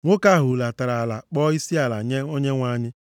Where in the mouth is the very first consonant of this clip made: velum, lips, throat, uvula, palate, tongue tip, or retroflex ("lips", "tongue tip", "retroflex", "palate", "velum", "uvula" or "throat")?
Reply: velum